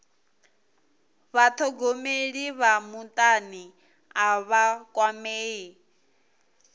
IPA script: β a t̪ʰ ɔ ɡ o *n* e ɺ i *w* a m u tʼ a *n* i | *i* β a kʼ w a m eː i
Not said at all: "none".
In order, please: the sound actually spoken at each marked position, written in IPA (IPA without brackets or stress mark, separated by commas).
m, β, n, a